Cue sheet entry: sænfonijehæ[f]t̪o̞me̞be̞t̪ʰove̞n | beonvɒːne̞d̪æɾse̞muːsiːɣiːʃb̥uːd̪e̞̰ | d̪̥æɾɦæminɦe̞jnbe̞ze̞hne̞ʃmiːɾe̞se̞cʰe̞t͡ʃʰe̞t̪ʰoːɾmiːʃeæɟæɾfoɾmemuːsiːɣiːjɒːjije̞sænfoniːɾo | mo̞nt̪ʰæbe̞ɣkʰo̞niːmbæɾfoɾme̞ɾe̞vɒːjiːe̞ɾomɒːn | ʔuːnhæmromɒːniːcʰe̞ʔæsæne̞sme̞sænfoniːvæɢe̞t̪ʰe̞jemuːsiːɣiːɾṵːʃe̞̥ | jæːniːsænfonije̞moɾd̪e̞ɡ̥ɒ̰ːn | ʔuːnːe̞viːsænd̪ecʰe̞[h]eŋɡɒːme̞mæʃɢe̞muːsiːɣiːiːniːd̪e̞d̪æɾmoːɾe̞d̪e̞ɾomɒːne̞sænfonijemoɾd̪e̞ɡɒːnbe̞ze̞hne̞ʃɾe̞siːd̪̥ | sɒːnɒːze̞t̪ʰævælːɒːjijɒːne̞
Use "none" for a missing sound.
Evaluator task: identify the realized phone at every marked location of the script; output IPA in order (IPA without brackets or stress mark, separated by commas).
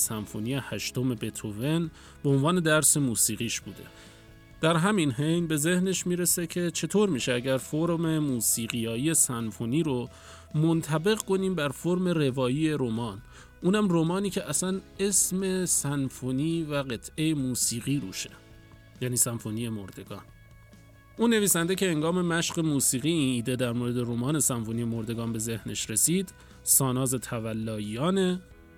ʃ, h